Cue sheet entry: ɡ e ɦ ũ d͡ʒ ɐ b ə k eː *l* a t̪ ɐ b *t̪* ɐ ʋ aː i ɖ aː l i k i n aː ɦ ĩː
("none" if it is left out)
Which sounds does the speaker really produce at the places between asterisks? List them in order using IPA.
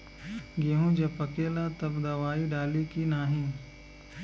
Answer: l, d̪

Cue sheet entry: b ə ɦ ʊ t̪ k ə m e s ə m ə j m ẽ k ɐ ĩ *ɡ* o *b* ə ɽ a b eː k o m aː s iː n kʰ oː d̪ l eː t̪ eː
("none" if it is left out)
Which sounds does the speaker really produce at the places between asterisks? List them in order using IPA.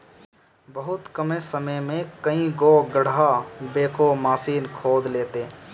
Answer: ɡ, ɡ

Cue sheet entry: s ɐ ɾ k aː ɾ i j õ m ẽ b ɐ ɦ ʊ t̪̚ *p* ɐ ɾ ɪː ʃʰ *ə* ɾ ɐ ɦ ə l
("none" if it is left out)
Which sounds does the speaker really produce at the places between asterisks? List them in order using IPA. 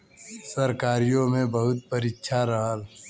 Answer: p, a

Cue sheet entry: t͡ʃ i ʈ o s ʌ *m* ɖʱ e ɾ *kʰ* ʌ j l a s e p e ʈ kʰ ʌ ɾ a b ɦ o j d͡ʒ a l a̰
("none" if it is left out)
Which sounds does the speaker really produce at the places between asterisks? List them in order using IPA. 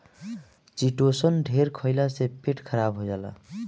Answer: n, kʰ

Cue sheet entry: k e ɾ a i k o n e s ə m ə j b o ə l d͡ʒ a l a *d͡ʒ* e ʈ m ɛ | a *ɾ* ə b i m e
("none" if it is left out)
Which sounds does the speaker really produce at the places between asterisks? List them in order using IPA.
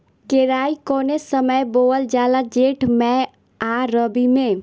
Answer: d͡ʒ, ɾ

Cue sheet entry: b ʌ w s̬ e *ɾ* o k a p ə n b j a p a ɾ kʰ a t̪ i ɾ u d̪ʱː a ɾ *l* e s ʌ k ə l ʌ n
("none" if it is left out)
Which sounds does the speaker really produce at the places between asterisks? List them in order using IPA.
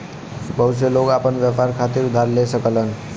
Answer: l, l

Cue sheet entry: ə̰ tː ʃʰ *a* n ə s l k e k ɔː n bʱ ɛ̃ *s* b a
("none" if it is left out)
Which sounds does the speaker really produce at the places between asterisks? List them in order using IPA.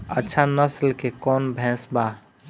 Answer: a, s

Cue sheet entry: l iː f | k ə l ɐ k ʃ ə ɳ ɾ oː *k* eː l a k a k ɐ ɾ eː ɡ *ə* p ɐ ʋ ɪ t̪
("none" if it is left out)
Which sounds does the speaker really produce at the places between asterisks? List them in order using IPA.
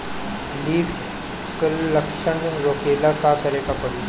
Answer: k, a

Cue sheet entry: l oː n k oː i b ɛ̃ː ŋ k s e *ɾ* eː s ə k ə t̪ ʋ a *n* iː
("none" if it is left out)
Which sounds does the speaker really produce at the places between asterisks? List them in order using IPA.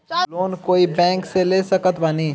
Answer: l, n

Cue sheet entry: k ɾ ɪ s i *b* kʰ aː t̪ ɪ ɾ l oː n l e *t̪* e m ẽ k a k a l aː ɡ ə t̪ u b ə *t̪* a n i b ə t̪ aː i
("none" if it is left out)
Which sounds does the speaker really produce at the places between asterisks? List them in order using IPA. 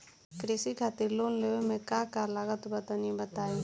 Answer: none, none, t̪

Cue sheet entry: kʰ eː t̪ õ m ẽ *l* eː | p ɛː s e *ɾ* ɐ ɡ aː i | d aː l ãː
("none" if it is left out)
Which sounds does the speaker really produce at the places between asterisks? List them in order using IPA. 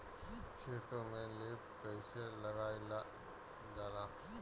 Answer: l, l

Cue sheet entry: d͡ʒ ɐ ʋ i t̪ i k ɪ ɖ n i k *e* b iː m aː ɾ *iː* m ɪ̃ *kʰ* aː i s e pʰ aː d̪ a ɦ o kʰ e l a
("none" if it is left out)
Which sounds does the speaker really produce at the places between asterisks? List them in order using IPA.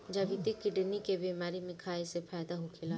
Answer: e, i, kʰ

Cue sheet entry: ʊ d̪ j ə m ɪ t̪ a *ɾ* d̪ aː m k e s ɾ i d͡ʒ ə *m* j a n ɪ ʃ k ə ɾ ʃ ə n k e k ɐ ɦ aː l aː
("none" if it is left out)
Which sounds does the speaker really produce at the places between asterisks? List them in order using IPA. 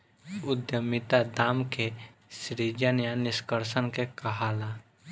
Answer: none, n

